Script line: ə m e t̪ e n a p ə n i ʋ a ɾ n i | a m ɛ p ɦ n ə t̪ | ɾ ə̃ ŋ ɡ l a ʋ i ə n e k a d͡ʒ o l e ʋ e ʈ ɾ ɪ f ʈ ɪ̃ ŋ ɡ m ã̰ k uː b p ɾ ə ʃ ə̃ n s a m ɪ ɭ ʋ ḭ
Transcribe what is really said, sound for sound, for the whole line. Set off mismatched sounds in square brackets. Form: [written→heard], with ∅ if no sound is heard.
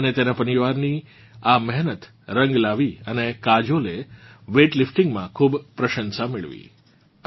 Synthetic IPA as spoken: ə [m→n] e t̪ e n a p ə n i ʋ a ɾ n i | a m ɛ [p→∅] ɦ n ə t̪ | ɾ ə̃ ŋ ɡ l a ʋ i ə n e k a d͡ʒ o l e ʋ e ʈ [ɾ→l] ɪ f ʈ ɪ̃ ŋ ɡ m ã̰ [k→kʰ] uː b p ɾ ə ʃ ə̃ n s a m ɪ ɭ ʋ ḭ